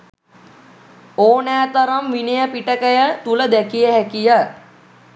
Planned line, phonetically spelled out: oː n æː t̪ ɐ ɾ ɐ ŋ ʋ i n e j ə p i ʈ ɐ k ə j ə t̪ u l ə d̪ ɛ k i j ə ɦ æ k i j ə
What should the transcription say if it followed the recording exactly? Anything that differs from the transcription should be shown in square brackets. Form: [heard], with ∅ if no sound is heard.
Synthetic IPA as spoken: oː n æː t̪ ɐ ɾ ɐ [m] ʋ i n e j ə p i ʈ [ə] k ə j ə t̪ u l ə d̪ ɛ k i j ə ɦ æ k i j ə